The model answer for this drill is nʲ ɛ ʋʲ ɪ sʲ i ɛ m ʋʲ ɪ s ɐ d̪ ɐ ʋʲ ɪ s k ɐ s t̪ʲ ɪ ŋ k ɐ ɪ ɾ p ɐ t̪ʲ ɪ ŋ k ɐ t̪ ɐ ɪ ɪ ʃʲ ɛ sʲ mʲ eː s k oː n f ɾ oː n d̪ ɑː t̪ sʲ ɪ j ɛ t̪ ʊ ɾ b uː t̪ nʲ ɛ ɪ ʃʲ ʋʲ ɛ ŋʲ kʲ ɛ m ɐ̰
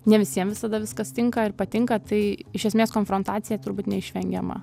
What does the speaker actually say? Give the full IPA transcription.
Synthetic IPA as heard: nʲ ɛ ʋʲ ɪ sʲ i ɛ m ʋʲ ɪ s ɐ d̪ ɐ ʋʲ ɪ s k ɐ s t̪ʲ ɪ ŋ k ɐ ɪ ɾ p ɐ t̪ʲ ɪ ŋ k ɐ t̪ ɐ ɪ ɪ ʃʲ ɛ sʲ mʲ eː s k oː n f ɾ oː n t̪ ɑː t̪ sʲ ɪ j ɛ t̪ ʊ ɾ b uː t̪ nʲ ɛ ɪ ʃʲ ʋʲ ɛ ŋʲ ɡʲ ɛ m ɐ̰